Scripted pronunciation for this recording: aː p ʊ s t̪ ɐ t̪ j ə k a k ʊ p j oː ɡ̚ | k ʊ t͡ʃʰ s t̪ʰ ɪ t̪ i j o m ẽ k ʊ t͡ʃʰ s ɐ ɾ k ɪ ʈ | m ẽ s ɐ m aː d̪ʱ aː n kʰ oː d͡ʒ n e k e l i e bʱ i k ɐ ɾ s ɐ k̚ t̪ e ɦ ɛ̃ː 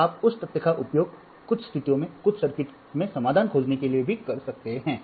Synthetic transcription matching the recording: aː p ʊ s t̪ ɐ t̪ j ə k a ʔ ʊ p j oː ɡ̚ | k ʊ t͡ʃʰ s t̪ʰ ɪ t̪ i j õ m ẽ k ʊ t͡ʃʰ s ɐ ɾ k ɪ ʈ | m ẽ s ɐ m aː d̪ʱ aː n kʰ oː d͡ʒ n e k e l i e bʱ i k ɐ ɾ s ɐ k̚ t̪ e ɦ ɛ̃ː